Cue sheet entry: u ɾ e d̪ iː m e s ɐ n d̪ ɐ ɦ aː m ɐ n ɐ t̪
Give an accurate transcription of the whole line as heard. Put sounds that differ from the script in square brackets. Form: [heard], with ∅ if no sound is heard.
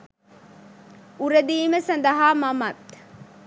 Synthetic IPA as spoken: u ɾ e d̪ iː m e s ɐ n d̪ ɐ ɦ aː m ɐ [m] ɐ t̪